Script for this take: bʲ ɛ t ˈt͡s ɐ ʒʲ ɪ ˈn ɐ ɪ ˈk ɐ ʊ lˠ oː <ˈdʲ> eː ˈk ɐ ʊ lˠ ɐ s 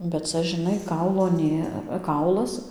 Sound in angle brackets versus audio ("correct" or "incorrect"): incorrect